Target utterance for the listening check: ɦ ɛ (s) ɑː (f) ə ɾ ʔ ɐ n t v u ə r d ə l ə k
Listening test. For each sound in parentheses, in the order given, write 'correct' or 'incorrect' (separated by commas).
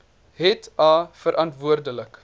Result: incorrect, correct